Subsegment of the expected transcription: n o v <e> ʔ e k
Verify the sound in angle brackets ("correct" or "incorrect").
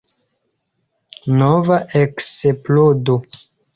incorrect